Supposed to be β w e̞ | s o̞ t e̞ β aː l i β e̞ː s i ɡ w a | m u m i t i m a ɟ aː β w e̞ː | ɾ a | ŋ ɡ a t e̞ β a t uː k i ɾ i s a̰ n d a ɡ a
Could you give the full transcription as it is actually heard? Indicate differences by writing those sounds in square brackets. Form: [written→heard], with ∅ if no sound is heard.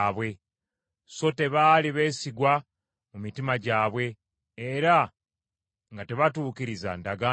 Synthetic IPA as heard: β w e̞ | s o̞ t e̞ β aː l i β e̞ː s i ɡ w a | m u m i t i m a ɟ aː β w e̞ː | ɾ a | ŋ ɡ a t e̞ β a t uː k i ɾ i [s→z] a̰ n d a ɡ a